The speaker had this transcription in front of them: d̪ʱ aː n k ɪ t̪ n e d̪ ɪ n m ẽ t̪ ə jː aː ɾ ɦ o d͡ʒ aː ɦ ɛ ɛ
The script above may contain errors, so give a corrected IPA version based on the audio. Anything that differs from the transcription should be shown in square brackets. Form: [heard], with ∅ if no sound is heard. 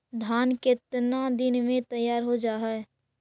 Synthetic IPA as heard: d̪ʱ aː n k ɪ t̪ n [a] d̪ ɪ n m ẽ t̪ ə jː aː ɾ ɦ o d͡ʒ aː ɦ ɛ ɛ